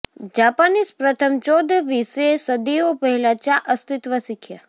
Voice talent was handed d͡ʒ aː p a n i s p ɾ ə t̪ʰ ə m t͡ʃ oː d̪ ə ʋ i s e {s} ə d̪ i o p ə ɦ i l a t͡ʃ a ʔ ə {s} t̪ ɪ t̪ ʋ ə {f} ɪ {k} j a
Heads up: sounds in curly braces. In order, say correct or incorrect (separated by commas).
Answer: correct, correct, incorrect, incorrect